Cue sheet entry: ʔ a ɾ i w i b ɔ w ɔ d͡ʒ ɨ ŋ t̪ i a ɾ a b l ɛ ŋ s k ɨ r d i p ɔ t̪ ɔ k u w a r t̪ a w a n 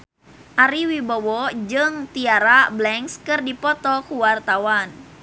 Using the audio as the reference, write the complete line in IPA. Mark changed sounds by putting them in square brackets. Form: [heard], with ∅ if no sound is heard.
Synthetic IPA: ʔ a ɾ i w i b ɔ w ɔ d͡ʒ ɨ ŋ t̪ i a ɾ a b l ɛ ŋ s k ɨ r d i p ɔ t̪ ɔ k u w a r t̪ a w a n